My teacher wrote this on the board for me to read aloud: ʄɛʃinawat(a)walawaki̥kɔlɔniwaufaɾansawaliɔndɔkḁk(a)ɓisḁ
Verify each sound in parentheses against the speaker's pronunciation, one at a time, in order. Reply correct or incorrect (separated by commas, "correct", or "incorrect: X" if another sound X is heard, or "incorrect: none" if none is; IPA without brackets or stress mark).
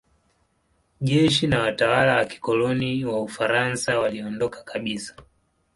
correct, correct